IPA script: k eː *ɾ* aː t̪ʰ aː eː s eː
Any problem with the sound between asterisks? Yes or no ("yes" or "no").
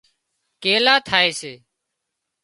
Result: yes